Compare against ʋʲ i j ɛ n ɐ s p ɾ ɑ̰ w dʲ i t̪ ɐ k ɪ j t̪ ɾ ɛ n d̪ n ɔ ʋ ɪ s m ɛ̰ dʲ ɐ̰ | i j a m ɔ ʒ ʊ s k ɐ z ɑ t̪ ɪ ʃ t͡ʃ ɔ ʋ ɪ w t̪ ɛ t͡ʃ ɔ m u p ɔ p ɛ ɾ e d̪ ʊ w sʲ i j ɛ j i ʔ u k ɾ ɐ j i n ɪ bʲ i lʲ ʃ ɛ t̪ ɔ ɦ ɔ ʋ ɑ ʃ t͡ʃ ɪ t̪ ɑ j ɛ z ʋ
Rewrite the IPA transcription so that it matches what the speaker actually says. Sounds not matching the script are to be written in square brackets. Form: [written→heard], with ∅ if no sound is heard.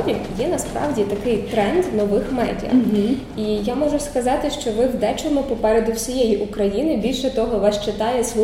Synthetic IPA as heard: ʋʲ i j ɛ n ɐ s p ɾ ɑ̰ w dʲ i t̪ ɐ k ɪ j t̪ ɾ ɛ n d̪ n ɔ ʋ ɪ [s→x] m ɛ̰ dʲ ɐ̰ | i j a m ɔ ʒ ʊ s k ɐ z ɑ t̪ ɪ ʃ t͡ʃ ɔ ʋ ɪ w [t̪→d̪] ɛ t͡ʃ ɔ m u p ɔ p ɛ ɾ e d̪ ʊ w sʲ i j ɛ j i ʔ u k ɾ ɐ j i n ɪ bʲ i lʲ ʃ ɛ t̪ ɔ ɦ ɔ ʋ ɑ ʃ t͡ʃ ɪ t̪ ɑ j ɛ [z→s] ʋ